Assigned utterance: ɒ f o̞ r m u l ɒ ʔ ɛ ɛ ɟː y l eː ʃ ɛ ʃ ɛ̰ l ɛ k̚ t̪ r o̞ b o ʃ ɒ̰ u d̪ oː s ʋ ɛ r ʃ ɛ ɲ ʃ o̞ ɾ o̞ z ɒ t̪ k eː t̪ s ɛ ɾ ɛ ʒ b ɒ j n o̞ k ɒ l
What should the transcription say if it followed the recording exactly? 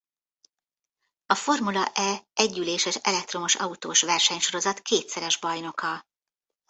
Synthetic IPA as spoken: ɒ f o̞ r m u l ɒ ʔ ɛ ɛ ɟː y l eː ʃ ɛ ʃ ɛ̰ l ɛ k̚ t̪ r o̞ m o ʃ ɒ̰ u t̪ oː ʃ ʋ ɛ r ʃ ɛ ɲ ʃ o̞ ɾ o̞ z ɒ t̪ k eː t̪ s ɛ ɾ ɛ ʒ b ɒ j n o̞ k ɒ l